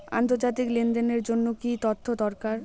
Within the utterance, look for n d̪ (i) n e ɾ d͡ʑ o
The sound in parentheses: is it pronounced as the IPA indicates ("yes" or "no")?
no